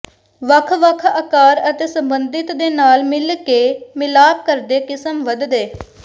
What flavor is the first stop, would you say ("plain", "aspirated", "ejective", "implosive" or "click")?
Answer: aspirated